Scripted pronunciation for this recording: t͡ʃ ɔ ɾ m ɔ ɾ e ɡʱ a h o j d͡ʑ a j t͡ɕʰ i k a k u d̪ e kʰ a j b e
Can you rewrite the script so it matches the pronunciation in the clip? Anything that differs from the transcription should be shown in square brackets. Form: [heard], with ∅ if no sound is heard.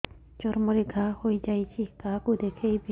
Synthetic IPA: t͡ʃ ɔ ɾ m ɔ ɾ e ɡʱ a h o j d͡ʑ a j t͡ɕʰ i k a k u d̪ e kʰ [e] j b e